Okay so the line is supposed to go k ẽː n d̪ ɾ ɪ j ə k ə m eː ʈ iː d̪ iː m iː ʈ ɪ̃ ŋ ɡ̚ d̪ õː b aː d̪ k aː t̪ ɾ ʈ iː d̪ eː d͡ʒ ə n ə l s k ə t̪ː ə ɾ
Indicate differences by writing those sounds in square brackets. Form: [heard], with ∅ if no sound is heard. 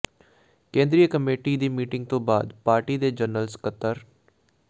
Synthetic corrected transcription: k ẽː n d̪ ɾ [i] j ə k ə m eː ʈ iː d̪ iː m iː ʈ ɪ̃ ŋ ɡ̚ [t̪] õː b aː d̪ [p] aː [∅] ɾ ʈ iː d̪ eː d͡ʒ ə n ə l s k ə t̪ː ə ɾ